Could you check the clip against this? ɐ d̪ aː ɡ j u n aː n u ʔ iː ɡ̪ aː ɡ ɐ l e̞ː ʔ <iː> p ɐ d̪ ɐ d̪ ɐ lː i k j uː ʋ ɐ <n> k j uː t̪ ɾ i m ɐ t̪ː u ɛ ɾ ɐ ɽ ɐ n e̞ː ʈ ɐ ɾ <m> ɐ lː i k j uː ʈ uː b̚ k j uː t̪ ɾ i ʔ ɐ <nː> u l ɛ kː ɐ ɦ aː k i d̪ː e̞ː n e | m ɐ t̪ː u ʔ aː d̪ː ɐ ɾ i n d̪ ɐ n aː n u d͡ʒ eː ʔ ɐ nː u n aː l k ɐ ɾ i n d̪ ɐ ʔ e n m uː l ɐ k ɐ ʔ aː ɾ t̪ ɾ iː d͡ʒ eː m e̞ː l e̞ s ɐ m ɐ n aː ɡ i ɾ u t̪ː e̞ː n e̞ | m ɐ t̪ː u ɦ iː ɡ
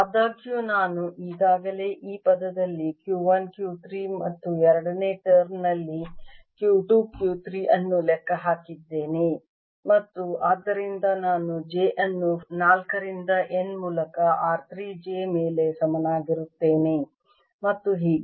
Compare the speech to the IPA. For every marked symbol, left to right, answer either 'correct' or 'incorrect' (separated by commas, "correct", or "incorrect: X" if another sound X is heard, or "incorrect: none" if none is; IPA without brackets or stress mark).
correct, correct, incorrect: n, correct